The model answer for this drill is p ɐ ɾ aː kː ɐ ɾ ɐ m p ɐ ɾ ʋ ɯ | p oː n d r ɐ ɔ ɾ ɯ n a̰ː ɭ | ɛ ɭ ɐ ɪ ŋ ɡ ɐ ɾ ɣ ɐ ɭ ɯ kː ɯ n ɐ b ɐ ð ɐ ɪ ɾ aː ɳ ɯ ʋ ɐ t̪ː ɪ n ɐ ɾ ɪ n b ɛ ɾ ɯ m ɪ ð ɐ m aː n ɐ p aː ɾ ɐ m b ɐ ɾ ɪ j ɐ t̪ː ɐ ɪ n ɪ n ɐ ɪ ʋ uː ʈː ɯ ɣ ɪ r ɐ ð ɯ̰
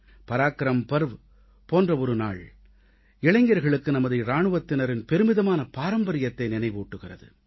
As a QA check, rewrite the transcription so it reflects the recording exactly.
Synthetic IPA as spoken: p ɐ ɾ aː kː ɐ ɾ ɐ m p ɐ ɾ ʋ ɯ | p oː n d r ɐ ɔ ɾ ɯ n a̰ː ɭ | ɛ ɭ ɐ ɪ ŋ ɡ ɐ ɾ ɣ ɐ ɭ ɯ kː ɯ n ɐ m ɐ ð ɐ ɪ ɾ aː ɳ ɯ ʋ ɐ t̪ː ɪ n ɐ ɾ ɪ n p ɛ ɾ ɯ m ɪ ð ɐ m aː n ɐ p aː ɾ ɐ m b ɐ ɾ ɪ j ɐ t̪ː ɐ ɪ n ɪ n ɐ ɪ ʋ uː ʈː ɯ ɣ ɪ r ɐ ð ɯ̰